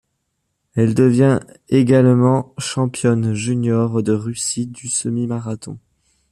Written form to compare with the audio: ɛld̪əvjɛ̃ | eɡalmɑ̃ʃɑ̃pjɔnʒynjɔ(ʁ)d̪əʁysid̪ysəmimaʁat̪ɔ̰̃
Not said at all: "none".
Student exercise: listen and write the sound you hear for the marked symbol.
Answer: ʁ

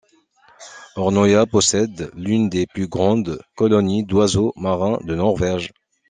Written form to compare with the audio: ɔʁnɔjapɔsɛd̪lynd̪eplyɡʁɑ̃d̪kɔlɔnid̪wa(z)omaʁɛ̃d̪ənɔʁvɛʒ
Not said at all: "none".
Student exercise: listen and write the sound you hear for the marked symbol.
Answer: z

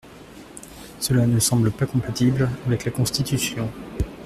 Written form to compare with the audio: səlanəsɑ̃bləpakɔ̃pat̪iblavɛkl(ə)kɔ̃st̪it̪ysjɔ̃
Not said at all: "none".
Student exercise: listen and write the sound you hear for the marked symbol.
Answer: a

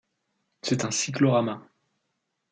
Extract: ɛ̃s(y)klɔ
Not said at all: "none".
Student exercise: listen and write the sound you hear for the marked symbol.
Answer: i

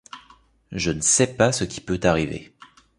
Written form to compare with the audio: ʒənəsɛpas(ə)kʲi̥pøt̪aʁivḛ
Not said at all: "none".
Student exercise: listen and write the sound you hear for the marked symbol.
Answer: ə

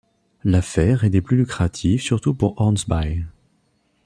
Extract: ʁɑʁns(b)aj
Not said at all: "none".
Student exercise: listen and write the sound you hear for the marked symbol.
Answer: b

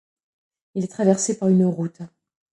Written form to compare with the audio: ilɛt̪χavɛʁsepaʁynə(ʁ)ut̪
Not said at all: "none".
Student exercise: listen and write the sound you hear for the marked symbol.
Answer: ʁ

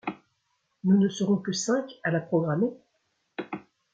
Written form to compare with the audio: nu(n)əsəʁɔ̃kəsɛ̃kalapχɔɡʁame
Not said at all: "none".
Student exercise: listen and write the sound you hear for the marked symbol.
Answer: n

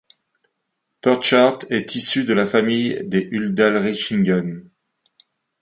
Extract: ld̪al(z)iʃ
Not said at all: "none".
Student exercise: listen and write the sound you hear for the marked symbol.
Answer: ʁ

